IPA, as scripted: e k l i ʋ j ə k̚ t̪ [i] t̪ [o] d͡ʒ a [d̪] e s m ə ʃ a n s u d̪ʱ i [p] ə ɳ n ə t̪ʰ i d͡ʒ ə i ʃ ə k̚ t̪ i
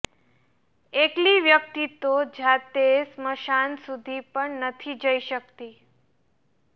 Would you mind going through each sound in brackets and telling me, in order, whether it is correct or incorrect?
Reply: correct, correct, incorrect: t̪, correct

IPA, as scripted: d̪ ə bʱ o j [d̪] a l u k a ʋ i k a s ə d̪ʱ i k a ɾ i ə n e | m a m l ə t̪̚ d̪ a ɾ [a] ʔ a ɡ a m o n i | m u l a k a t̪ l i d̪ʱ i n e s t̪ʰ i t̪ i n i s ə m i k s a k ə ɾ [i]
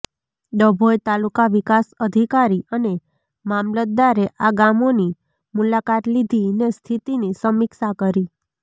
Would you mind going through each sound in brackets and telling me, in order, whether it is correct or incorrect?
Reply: incorrect: t̪, incorrect: e, correct

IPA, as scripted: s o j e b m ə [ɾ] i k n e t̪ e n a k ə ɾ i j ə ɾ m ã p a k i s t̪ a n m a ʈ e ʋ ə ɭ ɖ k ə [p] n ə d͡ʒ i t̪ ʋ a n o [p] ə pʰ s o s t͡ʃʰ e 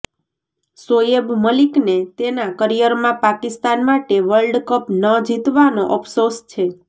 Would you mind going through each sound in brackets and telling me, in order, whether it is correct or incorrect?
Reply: incorrect: l, correct, incorrect: ʔ

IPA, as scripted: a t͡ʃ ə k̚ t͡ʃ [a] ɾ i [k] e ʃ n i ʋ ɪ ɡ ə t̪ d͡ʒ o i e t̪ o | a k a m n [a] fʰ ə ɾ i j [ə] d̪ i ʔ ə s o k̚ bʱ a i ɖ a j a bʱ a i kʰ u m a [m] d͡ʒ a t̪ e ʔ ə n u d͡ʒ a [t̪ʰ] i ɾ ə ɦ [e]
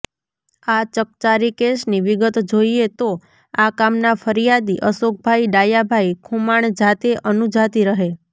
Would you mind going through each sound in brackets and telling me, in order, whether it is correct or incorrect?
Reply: correct, correct, correct, incorrect: a, incorrect: ɳ, incorrect: t̪, correct

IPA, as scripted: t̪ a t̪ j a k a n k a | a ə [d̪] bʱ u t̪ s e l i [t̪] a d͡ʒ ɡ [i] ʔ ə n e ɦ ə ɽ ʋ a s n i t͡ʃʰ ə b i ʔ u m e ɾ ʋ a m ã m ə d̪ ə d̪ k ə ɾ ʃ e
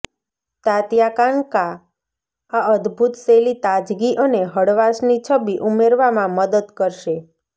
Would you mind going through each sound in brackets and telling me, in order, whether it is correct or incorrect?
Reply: correct, correct, correct

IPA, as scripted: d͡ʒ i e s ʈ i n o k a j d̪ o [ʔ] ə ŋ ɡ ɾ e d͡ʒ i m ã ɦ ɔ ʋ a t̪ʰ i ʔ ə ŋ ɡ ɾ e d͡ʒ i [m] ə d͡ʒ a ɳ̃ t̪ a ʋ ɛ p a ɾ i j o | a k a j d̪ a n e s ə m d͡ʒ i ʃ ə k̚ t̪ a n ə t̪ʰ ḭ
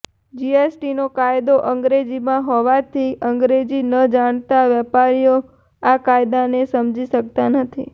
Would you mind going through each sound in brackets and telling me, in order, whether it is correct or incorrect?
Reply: correct, incorrect: n

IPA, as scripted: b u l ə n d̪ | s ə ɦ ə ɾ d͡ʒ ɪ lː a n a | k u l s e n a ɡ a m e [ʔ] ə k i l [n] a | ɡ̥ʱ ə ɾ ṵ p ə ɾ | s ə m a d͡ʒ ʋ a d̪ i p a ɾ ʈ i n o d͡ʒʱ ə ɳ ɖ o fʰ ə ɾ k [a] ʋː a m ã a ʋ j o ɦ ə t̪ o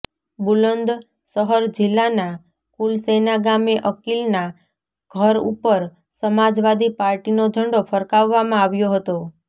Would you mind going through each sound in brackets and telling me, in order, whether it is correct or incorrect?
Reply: correct, correct, correct

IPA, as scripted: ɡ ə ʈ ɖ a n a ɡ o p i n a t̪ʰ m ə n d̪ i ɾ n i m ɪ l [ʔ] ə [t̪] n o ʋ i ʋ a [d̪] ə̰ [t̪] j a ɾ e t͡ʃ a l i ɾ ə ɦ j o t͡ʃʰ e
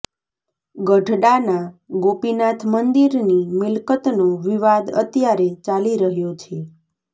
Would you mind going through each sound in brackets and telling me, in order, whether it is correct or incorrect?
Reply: incorrect: k, correct, correct, correct

